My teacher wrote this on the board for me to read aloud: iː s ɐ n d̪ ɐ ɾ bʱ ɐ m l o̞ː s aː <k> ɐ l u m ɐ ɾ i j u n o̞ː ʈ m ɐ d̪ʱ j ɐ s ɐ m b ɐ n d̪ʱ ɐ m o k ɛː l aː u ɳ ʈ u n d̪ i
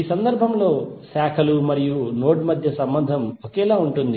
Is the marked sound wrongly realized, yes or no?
yes